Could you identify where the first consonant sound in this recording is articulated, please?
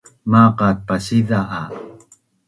labial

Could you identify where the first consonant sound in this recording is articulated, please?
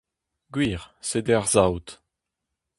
velar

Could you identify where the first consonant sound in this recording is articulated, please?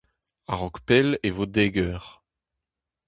uvular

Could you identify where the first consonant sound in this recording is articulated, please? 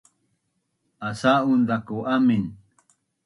alveolar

